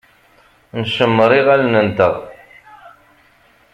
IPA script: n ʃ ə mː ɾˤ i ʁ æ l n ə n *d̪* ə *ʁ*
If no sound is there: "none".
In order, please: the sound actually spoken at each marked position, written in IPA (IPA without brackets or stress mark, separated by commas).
t̪, ʁ